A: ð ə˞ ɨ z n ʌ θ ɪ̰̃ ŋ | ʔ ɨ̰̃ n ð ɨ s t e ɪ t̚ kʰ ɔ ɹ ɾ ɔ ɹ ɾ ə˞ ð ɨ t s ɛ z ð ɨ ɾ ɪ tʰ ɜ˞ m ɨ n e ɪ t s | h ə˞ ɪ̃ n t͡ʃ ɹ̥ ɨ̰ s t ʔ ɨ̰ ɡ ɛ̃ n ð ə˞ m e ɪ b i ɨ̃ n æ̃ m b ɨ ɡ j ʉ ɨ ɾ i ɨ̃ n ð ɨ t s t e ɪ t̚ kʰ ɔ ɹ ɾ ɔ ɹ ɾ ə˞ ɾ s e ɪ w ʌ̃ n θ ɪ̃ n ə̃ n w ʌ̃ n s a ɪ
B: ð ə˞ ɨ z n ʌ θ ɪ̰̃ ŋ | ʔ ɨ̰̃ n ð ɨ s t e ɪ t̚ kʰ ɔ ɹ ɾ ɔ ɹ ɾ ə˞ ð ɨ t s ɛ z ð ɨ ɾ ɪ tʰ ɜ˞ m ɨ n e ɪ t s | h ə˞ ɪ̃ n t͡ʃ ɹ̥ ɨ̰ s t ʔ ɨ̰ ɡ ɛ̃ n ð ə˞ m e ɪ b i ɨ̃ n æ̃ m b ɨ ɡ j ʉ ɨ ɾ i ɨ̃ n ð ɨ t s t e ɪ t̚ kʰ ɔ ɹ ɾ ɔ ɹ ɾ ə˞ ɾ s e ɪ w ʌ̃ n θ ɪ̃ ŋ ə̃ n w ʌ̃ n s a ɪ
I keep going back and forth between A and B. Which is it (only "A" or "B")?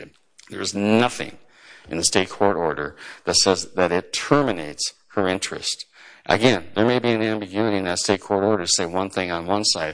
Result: B